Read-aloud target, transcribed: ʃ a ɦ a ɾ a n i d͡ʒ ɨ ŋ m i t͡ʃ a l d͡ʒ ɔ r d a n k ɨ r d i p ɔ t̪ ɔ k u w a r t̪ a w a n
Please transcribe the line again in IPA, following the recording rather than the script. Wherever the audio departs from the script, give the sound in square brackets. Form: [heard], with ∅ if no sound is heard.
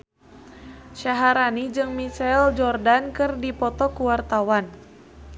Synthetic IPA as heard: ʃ a ɦ a ɾ a n i d͡ʒ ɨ ŋ m i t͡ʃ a l d͡ʒ ɔ r d a n k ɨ r d i p ɔ t̪ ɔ k u w a r t̪ a w a n